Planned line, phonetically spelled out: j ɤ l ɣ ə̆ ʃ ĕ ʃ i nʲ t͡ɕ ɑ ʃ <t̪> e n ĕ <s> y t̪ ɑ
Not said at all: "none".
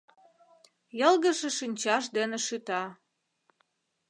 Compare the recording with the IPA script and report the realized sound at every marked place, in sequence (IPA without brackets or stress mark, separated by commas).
d̪, ʃ